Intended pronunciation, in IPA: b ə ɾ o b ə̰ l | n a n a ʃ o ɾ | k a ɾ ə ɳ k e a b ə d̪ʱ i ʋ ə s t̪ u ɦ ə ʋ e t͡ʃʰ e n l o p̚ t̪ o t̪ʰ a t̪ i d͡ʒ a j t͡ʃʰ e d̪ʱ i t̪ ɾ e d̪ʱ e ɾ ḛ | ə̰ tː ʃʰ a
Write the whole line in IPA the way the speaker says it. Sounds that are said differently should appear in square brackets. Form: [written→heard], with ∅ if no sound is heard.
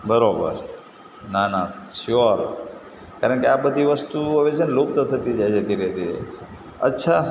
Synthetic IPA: b ə ɾ o b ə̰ [l→ɾ] | n a n a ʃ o ɾ | k a ɾ ə ɳ k e a b ə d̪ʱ i ʋ ə s t̪ u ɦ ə ʋ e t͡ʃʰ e n l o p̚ t̪ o t̪ʰ [a→ə] t̪ i d͡ʒ a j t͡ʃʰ e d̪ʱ i [t̪→∅] ɾ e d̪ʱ [e→i] ɾ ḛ | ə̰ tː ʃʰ a